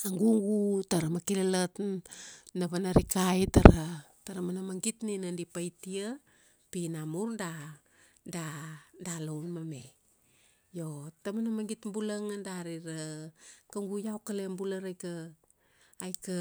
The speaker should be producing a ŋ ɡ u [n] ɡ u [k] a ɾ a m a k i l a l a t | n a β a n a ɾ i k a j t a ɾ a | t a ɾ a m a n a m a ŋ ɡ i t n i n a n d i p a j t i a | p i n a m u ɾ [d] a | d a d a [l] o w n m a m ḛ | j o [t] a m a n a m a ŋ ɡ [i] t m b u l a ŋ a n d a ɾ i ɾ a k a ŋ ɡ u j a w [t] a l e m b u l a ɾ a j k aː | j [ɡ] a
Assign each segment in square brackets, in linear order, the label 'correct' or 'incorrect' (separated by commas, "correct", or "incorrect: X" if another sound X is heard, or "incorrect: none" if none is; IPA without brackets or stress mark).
incorrect: ŋ, incorrect: t, correct, correct, correct, correct, incorrect: k, incorrect: k